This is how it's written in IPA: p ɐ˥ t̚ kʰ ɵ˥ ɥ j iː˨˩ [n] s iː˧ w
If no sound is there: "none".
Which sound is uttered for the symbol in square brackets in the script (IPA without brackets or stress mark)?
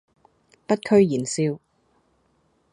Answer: n